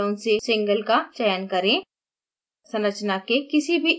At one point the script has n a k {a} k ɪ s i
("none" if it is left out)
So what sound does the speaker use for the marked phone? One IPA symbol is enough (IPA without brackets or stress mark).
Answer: e